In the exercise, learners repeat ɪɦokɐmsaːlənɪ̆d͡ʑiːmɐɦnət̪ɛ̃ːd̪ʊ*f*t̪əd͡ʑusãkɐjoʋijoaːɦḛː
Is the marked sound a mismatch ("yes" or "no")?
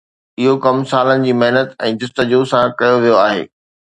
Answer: yes